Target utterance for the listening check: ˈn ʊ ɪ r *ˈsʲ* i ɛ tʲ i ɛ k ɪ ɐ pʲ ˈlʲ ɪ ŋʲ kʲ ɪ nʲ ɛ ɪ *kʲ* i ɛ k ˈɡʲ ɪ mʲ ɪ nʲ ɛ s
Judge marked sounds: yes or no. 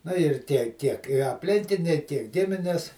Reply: no, no

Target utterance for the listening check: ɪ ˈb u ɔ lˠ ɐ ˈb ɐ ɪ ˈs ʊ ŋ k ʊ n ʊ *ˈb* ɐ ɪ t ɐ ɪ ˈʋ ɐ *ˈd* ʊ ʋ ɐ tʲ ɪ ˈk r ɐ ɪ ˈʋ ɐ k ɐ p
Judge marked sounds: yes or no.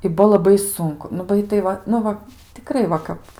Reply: yes, no

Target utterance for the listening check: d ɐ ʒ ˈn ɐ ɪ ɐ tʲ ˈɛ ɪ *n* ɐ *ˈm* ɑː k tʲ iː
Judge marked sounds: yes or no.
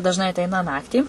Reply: yes, no

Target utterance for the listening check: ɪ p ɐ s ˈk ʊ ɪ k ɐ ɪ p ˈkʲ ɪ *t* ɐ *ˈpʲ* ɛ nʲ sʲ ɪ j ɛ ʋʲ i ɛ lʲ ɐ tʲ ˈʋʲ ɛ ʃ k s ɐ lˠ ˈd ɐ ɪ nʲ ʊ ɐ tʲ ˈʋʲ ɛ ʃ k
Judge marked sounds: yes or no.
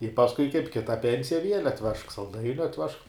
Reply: yes, yes

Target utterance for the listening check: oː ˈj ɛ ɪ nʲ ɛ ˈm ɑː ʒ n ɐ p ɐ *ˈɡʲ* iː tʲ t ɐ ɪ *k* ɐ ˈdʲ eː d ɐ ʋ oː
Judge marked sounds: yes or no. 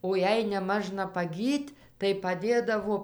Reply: yes, no

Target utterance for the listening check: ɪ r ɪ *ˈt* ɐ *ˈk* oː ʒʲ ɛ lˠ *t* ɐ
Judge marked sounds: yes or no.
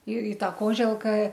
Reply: yes, yes, no

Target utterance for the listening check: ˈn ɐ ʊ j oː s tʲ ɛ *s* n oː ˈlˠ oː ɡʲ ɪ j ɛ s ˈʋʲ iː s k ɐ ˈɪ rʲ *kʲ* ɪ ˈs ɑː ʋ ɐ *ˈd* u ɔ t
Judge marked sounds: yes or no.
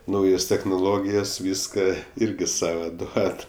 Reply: no, no, yes

